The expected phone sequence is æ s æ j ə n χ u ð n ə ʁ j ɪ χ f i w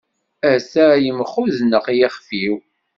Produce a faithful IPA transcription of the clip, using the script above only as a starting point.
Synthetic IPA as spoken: æ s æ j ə m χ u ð n ə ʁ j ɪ χ f i w